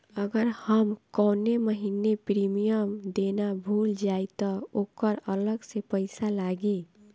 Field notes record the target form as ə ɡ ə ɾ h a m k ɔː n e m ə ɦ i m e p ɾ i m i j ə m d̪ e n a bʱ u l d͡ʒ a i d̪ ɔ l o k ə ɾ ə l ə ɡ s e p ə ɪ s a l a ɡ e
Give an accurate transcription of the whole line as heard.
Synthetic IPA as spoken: ə ɡ ə ɾ h ə m k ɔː n e m ə ɦ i n e p ɾ i m i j ə m d̪ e n a bʱ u l d͡ʒ a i t̪ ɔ o k ə ɾ ə l ə ɡ s e p ə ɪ s a l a ɡ e